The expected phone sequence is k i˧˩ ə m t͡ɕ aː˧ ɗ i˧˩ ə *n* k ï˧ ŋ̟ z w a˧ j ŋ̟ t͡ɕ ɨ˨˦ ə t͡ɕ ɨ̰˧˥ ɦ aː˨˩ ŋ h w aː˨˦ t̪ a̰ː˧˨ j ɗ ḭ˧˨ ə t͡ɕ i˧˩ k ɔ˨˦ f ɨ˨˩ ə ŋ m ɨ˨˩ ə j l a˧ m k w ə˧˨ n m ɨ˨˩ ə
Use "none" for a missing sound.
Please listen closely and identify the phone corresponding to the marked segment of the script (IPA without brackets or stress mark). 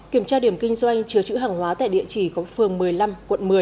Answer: m